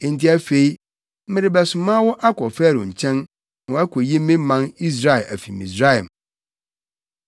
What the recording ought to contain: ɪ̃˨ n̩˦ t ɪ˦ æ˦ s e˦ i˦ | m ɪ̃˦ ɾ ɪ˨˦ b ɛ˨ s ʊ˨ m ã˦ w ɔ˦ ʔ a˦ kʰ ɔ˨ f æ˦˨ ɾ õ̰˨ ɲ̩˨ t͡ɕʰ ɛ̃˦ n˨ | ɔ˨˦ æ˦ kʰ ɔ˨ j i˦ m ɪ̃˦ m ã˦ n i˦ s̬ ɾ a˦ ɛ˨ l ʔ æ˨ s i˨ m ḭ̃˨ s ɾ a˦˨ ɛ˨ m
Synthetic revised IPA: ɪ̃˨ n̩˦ t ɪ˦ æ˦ f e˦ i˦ | m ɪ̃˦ ɾ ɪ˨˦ b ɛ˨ s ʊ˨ m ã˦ w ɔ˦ ʔ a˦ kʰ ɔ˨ f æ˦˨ ɾ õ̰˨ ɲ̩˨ t͡ɕʰ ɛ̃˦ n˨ | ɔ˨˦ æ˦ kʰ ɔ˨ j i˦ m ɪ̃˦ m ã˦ n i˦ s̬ ɾ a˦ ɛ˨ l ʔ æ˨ f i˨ m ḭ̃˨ s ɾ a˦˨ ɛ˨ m